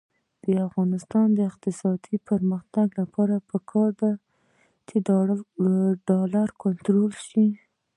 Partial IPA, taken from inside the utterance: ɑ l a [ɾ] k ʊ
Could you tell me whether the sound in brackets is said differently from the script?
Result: no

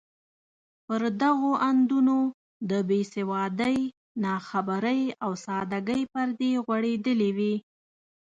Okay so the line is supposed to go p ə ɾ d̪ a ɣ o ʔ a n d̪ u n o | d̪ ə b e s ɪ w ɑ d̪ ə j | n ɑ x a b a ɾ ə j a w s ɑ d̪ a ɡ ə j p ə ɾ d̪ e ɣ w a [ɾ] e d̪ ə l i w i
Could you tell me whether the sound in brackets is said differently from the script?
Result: yes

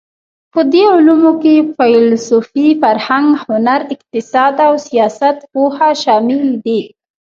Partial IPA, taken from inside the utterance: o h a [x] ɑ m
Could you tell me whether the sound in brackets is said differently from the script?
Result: yes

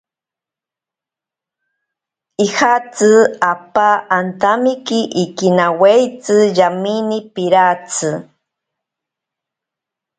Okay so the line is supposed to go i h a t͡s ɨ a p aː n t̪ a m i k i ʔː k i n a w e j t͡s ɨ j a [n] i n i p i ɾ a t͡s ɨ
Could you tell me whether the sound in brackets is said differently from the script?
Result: yes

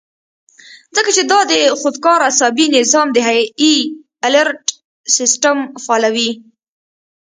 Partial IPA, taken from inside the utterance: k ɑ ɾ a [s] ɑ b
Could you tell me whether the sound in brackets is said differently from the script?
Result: no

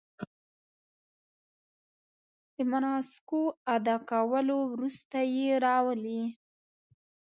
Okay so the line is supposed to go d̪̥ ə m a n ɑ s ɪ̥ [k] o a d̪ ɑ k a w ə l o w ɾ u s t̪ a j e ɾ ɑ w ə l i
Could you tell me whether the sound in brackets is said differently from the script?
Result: no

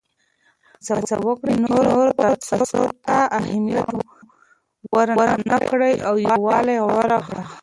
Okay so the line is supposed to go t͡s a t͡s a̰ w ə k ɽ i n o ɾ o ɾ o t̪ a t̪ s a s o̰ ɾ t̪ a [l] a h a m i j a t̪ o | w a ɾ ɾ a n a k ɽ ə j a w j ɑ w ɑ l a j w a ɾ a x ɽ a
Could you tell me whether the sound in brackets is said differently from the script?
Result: yes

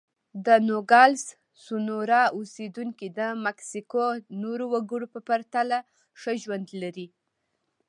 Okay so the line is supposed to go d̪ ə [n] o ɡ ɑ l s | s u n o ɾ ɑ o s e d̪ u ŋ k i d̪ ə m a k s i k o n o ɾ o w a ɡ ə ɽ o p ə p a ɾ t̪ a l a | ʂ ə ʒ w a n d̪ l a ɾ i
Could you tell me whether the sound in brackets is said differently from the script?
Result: no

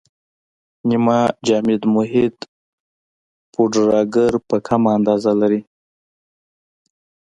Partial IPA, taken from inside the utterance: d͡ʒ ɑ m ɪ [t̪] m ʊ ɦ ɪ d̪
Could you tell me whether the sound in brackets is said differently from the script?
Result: yes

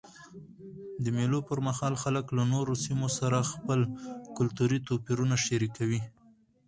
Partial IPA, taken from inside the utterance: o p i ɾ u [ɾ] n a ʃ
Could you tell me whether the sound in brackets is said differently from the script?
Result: yes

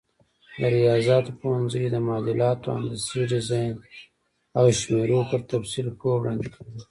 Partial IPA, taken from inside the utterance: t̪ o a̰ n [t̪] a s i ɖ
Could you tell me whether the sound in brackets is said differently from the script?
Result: yes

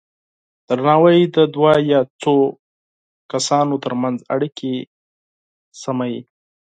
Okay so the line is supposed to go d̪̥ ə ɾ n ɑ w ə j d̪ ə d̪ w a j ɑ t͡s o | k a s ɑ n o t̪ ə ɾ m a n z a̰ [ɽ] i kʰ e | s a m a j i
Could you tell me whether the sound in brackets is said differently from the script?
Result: no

